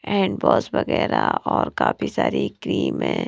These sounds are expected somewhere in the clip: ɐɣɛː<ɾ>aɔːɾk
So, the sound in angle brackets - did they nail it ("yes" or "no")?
yes